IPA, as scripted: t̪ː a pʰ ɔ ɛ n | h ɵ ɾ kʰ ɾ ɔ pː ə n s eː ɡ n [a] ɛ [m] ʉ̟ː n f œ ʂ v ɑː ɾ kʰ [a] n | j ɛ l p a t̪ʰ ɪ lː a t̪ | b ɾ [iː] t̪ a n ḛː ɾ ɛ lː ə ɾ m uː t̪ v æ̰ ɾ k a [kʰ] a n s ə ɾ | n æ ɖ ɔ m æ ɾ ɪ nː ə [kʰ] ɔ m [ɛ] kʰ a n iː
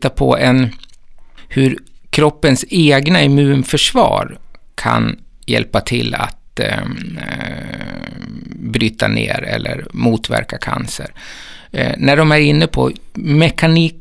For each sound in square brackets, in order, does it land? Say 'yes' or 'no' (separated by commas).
yes, yes, yes, no, yes, no, yes